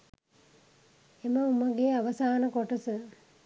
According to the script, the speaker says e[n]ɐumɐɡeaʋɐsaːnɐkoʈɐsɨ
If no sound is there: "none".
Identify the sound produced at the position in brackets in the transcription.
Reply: m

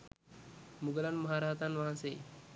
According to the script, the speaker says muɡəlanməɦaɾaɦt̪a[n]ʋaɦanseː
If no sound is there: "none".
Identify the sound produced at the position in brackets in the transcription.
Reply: n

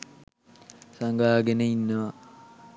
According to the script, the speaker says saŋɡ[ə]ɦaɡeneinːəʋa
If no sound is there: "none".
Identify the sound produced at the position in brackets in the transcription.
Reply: a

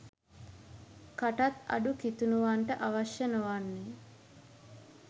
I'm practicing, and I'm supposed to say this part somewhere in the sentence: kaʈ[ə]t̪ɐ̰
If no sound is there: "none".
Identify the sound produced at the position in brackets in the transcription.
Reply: a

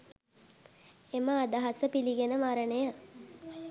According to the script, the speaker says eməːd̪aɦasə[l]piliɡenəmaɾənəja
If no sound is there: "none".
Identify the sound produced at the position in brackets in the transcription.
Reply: none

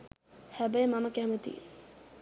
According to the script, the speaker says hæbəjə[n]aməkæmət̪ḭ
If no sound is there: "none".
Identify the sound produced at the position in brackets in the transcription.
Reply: m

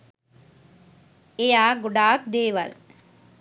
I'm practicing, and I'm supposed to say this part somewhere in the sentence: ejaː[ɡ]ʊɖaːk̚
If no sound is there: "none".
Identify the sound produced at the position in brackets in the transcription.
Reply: ɡ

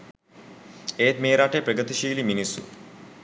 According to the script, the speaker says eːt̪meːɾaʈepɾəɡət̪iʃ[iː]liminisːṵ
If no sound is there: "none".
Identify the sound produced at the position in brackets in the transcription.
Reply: iː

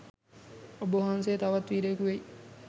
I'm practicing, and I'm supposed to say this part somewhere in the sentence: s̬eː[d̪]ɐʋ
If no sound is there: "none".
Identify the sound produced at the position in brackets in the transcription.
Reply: t̪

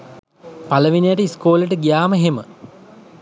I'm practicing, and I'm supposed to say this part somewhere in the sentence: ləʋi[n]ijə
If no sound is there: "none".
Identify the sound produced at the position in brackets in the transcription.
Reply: n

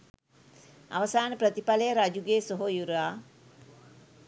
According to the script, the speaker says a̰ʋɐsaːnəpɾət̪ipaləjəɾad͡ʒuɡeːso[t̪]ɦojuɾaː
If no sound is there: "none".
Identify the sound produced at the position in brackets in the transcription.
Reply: none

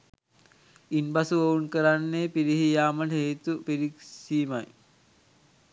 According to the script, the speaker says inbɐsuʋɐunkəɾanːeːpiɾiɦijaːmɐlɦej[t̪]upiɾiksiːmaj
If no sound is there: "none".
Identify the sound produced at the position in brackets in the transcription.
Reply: t̪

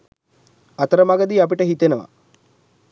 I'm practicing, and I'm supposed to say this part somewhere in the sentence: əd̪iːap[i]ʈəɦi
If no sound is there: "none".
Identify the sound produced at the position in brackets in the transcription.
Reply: i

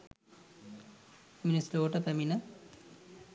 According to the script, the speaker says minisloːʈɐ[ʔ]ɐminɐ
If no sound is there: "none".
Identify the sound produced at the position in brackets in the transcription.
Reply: p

